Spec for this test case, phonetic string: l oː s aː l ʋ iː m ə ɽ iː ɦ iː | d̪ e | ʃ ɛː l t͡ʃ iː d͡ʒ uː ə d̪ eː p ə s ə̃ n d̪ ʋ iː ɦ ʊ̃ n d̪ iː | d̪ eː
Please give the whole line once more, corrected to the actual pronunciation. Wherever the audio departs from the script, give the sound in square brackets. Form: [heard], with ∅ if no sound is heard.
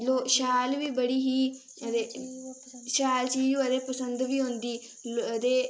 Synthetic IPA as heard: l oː [ʃ] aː l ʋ iː [b] ə ɽ iː ɦ iː | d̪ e | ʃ [aː] l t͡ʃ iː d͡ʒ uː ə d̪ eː p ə s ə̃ n d̪ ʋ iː ɦ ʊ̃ n d̪ iː | d̪ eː

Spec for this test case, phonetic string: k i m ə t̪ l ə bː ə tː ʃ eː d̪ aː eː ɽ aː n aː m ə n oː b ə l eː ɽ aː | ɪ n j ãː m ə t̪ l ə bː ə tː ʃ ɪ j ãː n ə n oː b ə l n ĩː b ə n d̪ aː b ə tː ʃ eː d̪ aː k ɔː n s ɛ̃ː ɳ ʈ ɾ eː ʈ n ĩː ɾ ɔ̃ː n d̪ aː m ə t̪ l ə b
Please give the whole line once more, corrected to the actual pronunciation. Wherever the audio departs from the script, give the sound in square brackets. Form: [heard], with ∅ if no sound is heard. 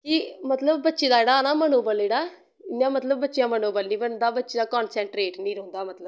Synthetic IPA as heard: k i m ə t̪ l ə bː ə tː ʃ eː d̪ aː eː ɽ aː n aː m ə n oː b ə l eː ɽ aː | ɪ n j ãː m ə t̪ l ə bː ə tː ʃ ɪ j ãː [m] ə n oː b ə l n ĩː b ə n d̪ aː b ə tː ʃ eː d̪ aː k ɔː n s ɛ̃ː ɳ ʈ ɾ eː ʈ n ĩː ɾ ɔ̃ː n d̪ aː m ə t̪ l ə b

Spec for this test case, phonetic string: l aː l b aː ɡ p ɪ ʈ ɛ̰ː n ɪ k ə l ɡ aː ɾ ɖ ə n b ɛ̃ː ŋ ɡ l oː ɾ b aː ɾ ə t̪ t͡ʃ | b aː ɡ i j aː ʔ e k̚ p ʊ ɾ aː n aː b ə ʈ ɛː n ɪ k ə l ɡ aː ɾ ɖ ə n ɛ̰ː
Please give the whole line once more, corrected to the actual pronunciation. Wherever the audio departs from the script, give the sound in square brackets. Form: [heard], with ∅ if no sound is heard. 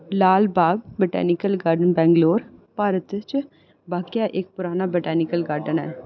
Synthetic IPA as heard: l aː l b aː ɡ [b] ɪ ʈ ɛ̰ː n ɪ k ə l ɡ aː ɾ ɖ ə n b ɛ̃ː ŋ ɡ l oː ɾ [p] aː ɾ ə t̪ t͡ʃ | b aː [k] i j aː ʔ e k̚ p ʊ ɾ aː n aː b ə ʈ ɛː n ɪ k ə l ɡ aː ɾ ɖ ə n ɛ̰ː

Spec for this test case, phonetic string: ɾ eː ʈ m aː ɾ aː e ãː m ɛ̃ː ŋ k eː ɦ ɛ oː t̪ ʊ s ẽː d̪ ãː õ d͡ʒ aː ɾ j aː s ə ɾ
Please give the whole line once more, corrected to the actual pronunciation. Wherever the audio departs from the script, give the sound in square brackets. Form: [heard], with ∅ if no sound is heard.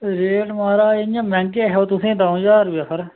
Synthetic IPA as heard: ɾ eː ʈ m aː ɾ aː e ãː m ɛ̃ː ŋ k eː ɦ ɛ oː t̪ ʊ s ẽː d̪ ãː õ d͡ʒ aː ɾ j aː s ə ɾ

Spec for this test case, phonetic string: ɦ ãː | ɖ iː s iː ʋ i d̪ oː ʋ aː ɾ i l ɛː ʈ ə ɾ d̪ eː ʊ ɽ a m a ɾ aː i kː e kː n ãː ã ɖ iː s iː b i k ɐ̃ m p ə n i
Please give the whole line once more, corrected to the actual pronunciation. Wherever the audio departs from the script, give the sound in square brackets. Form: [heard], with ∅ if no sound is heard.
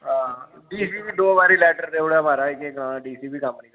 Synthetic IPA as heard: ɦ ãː | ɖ iː s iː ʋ i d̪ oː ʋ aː ɾ i l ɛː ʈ ə ɾ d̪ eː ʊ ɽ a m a ɾ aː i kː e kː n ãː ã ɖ iː s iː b i k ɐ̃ m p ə n i

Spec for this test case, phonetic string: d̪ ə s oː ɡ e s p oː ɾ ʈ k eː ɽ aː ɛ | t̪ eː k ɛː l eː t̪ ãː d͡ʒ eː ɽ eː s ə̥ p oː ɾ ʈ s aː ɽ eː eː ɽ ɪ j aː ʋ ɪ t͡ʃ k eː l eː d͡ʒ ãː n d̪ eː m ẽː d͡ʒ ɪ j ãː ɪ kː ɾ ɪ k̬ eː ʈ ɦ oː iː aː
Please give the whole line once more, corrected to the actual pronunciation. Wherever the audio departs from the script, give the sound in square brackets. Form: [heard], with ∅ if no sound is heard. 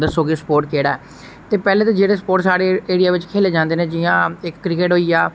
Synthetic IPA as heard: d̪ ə s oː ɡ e s p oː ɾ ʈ k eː ɽ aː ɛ | t̪ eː [p] ɛː l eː t̪ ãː d͡ʒ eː ɽ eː s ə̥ p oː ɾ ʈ s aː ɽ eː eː ɽ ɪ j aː ʋ ɪ t͡ʃ [kʰ] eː l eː d͡ʒ ãː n d̪ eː [n] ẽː d͡ʒ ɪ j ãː ɪ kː ɾ ɪ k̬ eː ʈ ɦ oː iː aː

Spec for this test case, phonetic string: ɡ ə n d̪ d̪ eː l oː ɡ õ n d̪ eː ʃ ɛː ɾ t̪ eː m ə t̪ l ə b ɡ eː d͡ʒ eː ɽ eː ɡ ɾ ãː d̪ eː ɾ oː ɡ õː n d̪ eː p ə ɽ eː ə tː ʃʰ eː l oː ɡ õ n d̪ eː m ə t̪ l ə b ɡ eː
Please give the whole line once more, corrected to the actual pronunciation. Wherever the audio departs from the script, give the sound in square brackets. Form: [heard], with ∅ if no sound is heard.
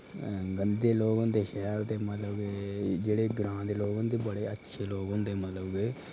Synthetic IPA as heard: ɡ ə n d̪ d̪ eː l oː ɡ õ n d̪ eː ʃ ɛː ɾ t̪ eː m ə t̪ l ə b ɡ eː d͡ʒ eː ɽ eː ɡ ɾ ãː d̪ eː [l] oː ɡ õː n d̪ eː [b] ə ɽ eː ə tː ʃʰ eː l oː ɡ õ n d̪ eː m ə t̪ l ə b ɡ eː

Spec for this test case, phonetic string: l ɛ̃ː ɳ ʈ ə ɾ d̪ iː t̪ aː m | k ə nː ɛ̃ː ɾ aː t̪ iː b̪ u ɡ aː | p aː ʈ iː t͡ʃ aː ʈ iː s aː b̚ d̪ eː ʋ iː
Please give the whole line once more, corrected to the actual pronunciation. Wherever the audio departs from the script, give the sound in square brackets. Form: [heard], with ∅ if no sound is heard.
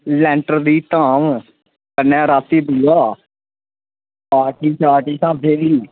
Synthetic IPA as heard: l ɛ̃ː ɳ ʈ ə ɾ d̪ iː t̪ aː m | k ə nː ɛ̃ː ɾ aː t̪ iː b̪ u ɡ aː | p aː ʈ iː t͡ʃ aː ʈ iː s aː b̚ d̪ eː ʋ iː

